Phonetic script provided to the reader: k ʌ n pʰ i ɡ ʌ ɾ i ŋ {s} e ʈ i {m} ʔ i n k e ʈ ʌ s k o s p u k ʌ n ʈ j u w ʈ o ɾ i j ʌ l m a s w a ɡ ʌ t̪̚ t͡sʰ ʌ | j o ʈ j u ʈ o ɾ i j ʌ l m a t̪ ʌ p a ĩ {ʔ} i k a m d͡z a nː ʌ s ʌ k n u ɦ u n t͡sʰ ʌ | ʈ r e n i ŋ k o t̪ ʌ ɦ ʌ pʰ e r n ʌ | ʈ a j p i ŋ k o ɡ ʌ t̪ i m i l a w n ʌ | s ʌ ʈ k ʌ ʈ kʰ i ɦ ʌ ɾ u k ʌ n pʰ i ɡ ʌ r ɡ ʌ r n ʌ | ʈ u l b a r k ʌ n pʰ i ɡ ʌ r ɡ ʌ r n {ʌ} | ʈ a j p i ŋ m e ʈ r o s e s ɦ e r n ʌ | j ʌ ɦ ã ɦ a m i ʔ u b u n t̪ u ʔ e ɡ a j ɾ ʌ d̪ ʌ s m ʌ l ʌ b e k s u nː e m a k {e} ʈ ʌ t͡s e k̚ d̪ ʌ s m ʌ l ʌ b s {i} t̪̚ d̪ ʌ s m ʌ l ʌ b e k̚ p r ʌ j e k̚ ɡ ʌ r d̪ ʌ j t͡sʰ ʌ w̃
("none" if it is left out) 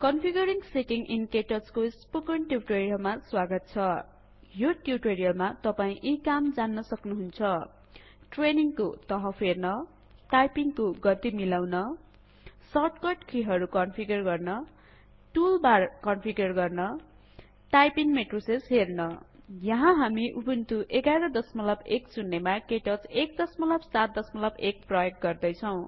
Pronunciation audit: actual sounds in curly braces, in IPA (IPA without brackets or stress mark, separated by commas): s, ŋ, ʔ, ʌ, e, a